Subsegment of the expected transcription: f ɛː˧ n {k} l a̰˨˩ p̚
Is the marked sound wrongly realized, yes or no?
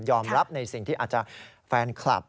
yes